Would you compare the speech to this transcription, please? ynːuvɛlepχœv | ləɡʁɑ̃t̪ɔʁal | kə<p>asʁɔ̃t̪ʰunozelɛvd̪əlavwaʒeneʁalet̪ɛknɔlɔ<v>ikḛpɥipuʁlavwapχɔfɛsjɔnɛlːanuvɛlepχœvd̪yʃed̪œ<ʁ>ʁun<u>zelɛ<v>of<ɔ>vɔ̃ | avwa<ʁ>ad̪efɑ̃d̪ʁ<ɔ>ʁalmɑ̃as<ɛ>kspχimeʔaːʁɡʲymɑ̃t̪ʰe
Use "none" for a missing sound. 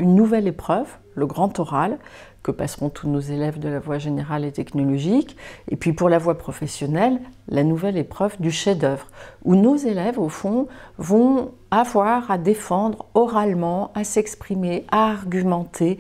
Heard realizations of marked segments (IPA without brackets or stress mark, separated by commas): p, ʒ, v, o, v, ɔ̃, ʁ, ɔ, ɛ